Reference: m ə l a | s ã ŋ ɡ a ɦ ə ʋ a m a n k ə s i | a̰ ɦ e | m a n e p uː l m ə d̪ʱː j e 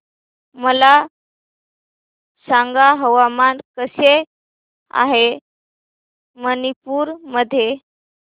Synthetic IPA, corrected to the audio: m ə l a | s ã ŋ ɡ a ɦ ə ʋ a m a n k ə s e | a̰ ɦ e | m ə n i p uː ɾ m ə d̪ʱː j e